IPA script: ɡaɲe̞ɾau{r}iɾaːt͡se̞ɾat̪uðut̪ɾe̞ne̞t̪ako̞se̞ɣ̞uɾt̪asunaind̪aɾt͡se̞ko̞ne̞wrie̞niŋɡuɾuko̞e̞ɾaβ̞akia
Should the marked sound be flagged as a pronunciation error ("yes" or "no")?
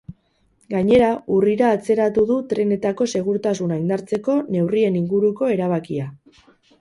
no